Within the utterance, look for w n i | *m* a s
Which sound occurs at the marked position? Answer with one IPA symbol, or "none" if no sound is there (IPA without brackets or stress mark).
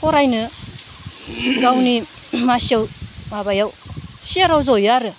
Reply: m